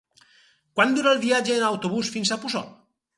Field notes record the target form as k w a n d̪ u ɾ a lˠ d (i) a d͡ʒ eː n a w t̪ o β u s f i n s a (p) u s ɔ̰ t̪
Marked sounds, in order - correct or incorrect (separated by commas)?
correct, correct